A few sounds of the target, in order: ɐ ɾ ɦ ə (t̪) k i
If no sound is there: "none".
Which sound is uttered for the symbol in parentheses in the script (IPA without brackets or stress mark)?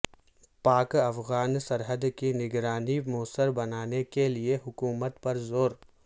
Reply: d̪